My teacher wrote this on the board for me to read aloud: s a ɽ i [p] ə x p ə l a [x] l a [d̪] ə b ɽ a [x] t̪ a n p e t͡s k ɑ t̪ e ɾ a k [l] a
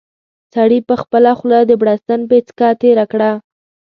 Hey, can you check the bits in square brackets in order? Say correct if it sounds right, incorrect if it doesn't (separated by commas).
correct, correct, correct, incorrect, incorrect